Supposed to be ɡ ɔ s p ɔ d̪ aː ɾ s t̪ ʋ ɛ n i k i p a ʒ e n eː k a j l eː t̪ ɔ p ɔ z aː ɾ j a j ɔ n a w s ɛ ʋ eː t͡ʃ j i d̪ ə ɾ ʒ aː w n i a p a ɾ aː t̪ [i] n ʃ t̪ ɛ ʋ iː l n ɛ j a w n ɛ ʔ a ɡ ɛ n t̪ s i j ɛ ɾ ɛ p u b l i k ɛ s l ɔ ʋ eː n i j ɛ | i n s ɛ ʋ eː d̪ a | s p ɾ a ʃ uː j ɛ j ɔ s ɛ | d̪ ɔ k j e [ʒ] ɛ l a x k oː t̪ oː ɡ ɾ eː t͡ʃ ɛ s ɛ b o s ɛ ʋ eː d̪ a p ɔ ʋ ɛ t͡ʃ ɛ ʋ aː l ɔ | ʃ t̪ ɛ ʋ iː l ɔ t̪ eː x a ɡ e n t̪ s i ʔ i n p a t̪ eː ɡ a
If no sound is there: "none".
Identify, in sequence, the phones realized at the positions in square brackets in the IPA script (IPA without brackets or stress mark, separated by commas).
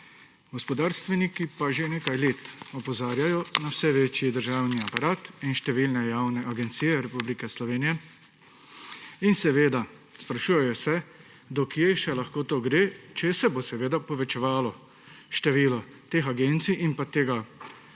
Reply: i, ʃ